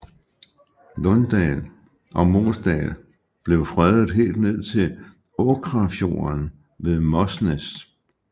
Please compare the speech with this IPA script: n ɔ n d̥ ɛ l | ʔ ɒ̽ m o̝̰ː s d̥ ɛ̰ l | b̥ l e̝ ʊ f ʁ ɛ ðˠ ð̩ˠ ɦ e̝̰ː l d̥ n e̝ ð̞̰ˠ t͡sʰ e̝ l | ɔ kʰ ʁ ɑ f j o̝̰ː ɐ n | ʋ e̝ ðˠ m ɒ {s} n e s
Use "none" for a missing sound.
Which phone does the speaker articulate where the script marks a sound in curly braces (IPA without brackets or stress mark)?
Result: s